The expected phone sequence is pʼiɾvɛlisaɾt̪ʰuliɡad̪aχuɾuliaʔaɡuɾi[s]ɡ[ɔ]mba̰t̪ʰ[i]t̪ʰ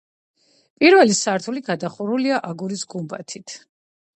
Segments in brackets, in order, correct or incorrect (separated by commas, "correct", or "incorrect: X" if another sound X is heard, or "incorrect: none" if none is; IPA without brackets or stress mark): correct, incorrect: u, correct